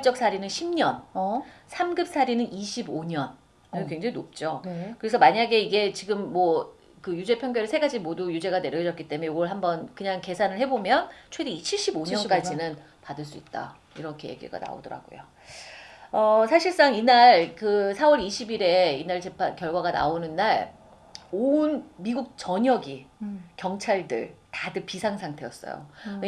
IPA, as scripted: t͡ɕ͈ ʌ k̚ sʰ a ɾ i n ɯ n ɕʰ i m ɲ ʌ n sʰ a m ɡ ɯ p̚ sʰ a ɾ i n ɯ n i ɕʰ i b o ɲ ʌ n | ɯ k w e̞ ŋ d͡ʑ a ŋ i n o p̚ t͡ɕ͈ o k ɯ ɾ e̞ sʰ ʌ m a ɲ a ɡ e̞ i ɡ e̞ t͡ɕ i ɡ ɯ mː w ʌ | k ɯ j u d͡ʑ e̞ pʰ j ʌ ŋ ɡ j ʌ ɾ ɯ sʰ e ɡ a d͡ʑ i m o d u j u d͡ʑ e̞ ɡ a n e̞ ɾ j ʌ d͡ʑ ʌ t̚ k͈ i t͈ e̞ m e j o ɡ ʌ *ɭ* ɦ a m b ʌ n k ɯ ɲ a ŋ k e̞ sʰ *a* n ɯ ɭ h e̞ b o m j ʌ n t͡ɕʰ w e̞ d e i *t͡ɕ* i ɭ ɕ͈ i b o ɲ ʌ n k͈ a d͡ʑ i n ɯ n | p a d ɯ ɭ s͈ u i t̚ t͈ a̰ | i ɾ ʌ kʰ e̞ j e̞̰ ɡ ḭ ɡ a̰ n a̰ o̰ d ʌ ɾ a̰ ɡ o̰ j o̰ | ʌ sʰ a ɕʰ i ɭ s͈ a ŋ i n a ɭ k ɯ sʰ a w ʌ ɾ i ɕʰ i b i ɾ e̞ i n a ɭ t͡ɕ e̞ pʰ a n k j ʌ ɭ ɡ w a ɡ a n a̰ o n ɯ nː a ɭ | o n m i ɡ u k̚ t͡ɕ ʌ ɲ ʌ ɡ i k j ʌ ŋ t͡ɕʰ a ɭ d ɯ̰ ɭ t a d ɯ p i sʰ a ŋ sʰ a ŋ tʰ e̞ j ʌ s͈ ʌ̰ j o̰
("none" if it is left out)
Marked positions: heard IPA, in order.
ɭ, a, t͡ɕʰ

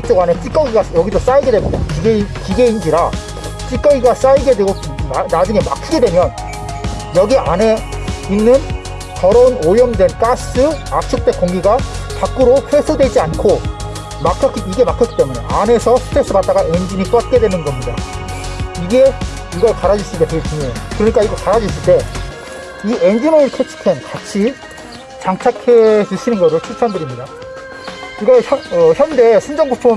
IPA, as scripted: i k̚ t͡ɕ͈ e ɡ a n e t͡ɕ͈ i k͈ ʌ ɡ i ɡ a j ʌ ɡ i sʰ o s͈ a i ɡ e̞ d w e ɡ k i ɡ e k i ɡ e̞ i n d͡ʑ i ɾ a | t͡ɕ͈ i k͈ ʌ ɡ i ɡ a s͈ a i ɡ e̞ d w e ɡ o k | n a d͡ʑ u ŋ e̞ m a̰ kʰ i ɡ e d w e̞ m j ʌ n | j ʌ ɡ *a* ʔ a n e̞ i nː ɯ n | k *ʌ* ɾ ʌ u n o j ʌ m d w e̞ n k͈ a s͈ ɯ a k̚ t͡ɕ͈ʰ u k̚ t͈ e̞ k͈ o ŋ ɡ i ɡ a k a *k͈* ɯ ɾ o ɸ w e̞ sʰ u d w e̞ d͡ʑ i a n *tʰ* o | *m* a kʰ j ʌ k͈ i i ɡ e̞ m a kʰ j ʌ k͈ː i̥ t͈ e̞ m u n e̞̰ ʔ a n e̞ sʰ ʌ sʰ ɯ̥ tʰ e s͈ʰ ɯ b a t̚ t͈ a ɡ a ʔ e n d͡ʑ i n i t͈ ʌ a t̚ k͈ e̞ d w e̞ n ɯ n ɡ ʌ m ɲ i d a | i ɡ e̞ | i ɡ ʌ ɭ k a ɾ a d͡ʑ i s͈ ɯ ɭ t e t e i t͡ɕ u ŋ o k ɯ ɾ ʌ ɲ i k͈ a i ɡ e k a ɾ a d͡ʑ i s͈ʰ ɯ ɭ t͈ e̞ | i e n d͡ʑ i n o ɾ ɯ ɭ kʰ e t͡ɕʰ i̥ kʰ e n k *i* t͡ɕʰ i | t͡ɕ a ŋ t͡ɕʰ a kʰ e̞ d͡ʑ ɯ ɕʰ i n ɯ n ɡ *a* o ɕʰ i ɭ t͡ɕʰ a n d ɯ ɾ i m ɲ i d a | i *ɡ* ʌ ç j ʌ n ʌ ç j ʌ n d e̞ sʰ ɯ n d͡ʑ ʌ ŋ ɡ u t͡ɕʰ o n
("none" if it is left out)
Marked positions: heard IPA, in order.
i, ʌ, k͈, kʰ, m, a, ʌ, ɡ

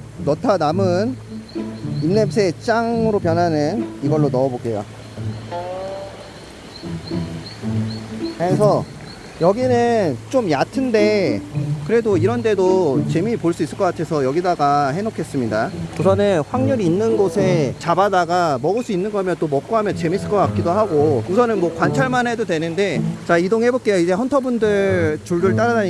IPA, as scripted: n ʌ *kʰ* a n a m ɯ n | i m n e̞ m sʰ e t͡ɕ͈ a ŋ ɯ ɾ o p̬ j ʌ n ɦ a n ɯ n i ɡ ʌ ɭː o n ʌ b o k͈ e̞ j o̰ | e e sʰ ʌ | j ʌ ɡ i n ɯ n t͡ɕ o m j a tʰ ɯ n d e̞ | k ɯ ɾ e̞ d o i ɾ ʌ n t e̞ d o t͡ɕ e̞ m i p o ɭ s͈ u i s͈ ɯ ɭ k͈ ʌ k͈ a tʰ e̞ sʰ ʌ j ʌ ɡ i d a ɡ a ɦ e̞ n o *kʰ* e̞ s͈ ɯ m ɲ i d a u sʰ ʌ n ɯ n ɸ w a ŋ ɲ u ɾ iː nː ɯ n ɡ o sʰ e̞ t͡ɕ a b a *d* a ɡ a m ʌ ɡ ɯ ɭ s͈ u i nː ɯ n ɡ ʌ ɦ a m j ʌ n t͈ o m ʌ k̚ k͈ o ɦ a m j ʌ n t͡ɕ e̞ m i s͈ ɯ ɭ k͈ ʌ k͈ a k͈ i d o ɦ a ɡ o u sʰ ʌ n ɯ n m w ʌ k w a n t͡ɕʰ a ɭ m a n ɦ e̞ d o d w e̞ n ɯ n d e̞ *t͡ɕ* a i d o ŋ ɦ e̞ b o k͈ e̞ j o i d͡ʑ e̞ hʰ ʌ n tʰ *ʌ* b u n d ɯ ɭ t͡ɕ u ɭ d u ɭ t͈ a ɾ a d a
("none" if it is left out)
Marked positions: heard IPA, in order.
tʰ, kʰ, d, t͡ɕ, ʌ

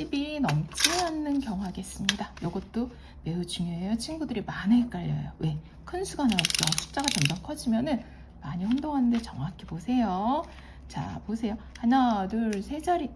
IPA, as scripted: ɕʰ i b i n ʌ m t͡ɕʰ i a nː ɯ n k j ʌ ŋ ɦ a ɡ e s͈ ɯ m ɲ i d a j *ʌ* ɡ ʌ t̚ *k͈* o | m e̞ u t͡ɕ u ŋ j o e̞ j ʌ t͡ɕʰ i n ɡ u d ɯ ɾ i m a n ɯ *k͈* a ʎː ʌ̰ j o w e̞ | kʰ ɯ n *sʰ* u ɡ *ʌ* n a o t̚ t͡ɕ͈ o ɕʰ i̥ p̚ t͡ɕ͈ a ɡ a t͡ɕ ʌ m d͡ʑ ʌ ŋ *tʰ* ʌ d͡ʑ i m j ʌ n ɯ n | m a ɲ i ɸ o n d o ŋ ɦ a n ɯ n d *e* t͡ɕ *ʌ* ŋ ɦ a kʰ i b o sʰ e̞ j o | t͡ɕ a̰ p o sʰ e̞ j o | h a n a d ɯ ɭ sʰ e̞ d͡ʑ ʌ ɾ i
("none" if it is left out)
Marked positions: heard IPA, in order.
ʌ, t͈, k͈, sʰ, a, kʰ, e, ʌ

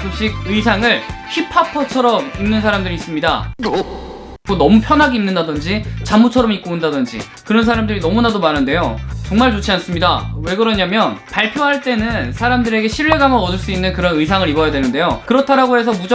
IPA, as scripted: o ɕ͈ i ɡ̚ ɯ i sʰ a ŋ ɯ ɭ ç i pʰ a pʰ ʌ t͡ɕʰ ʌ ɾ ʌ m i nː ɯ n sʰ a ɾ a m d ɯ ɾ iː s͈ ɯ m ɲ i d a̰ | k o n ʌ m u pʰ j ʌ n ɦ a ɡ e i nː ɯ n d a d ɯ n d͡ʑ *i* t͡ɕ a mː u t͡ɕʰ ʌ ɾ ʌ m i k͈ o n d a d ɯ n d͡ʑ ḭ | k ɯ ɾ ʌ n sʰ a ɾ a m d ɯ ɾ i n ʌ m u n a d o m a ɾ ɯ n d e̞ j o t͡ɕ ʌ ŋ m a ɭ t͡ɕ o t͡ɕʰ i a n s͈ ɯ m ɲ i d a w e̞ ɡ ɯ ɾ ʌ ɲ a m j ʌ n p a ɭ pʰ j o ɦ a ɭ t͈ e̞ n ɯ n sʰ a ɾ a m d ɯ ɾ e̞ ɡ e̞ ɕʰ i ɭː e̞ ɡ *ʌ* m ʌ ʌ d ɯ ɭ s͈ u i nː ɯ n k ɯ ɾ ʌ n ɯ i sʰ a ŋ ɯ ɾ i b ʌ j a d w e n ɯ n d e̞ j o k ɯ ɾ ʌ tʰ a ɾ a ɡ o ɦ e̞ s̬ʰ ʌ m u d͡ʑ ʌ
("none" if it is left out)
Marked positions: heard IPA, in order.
i, a

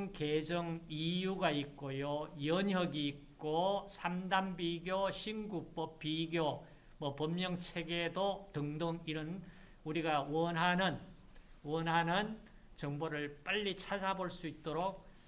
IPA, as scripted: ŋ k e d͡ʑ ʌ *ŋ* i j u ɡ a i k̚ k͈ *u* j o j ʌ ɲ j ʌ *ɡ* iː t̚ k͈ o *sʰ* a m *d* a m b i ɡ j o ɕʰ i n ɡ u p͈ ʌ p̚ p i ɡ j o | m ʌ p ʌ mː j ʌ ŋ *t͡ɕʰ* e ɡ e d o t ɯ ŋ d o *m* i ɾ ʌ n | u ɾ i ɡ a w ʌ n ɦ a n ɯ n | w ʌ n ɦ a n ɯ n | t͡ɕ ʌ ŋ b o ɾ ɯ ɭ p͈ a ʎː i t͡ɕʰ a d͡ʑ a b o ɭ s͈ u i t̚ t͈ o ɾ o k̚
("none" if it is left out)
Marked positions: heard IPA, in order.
ŋ, o, ɡ, sʰ, d, t͡ɕʰ, ŋ

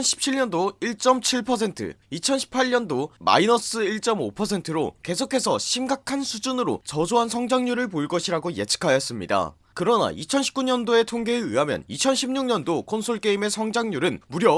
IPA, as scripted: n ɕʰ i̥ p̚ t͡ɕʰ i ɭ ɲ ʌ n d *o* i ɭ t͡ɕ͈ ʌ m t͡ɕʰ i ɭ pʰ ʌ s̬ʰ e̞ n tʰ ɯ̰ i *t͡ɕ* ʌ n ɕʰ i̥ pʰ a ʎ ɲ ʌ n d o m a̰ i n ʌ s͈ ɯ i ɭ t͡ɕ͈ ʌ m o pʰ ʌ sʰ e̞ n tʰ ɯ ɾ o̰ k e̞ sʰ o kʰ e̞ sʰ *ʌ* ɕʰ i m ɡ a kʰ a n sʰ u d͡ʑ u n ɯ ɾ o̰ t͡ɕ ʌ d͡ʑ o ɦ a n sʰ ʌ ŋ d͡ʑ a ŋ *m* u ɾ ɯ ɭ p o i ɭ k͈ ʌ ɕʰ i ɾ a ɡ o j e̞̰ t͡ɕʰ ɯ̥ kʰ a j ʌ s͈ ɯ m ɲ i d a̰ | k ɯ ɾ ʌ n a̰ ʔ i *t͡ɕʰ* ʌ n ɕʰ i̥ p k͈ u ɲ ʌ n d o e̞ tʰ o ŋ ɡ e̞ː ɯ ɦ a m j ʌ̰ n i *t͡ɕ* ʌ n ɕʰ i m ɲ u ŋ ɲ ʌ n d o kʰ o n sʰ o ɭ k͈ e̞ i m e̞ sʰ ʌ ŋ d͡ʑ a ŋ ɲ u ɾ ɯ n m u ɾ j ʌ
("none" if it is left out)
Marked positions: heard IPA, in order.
o, t͡ɕʰ, ʌ, ɲ, t͡ɕʰ, t͡ɕʰ

